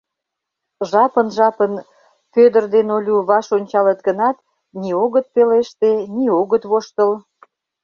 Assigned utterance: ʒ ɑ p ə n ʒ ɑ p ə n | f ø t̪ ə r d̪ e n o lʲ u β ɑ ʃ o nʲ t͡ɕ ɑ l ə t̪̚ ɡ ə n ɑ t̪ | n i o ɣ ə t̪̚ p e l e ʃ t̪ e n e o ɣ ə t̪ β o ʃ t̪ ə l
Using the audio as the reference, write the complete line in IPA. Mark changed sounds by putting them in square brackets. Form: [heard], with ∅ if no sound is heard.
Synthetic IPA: ʒ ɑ p ə n ʒ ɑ p ə n | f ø [d̪] ə r d̪ e n o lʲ u β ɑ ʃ o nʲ t͡ɕ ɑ l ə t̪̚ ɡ ə n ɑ t̪ | n i o ɣ ə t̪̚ p e l e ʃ t̪ e n [i] o ɣ ə t̪ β o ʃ t̪ ə l